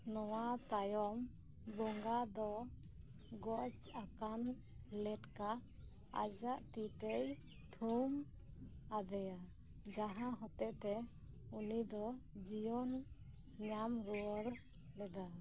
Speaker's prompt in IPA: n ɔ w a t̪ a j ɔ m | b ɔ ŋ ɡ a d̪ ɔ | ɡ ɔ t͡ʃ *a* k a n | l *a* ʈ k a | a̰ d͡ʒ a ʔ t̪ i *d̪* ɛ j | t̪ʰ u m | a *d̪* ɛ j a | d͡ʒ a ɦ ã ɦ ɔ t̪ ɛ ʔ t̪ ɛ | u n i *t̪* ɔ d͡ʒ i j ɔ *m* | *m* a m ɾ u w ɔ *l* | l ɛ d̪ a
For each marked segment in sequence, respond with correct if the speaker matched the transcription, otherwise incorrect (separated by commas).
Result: correct, incorrect, incorrect, correct, incorrect, incorrect, incorrect, incorrect